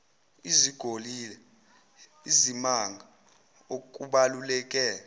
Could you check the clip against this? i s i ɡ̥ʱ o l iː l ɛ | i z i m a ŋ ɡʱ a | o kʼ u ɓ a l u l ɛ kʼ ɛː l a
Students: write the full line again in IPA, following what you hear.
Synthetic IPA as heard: i z i ɡ̥ʱ o l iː l ɛ | i z i m a ŋ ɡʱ a | o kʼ u ɓ a l u l ɛ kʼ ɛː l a